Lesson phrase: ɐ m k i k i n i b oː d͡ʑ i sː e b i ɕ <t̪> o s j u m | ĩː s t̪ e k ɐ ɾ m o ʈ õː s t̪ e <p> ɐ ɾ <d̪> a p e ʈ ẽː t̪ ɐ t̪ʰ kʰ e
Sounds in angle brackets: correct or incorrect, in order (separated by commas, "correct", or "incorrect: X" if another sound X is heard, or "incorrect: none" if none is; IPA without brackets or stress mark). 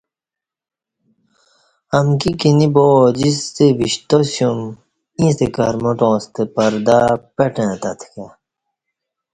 correct, correct, correct